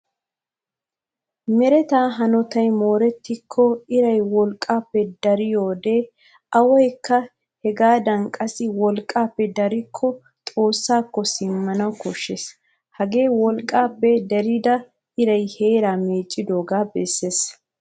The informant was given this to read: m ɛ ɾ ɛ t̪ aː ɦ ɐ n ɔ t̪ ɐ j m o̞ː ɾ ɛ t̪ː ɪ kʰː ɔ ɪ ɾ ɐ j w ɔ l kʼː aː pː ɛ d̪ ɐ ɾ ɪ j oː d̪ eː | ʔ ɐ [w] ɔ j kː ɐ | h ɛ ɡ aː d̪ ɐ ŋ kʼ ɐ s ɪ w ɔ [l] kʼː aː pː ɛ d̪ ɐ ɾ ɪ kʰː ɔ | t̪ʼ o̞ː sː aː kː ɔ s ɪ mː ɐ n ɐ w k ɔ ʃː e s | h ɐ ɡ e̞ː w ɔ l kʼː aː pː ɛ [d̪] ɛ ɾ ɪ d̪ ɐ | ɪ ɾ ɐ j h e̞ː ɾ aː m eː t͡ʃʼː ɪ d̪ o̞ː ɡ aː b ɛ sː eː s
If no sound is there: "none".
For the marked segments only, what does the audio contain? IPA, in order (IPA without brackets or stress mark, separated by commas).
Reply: w, l, d̪